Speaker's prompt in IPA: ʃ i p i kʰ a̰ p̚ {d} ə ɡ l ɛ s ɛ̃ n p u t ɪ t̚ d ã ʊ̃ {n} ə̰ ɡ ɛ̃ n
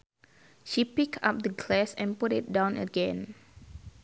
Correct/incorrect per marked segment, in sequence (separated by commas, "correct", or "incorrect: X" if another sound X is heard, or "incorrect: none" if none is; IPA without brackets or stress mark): correct, correct